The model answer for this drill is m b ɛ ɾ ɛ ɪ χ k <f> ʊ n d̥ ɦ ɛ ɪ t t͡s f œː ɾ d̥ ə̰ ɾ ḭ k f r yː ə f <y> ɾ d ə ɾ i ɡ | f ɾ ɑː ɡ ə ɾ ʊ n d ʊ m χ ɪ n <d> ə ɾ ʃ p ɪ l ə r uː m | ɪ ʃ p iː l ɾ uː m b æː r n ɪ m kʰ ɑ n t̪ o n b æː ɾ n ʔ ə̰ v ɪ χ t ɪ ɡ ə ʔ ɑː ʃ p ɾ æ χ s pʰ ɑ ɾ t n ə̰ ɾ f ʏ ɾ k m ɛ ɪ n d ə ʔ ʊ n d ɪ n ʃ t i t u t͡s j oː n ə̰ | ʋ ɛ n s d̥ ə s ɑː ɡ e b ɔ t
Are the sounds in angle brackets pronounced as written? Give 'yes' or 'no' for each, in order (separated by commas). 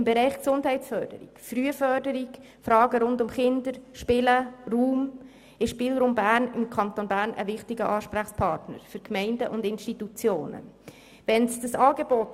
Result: no, no, yes